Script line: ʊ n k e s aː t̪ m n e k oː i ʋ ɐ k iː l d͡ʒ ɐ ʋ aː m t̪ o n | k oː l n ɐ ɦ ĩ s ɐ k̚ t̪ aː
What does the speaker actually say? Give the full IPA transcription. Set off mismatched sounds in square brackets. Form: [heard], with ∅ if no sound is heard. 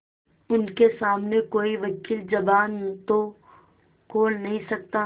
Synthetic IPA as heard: ʊ n k e s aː [∅] m n e k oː i ʋ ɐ k iː l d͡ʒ ɐ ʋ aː [n] t̪ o [∅] | k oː l n ɐ ɦ ĩ s ɐ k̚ t̪ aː